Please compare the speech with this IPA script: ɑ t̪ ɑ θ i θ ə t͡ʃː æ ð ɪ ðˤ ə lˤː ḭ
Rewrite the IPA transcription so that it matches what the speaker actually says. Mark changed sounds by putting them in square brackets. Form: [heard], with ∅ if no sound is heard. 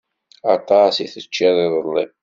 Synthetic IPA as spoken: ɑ t̪ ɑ [s] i θ ə t͡ʃː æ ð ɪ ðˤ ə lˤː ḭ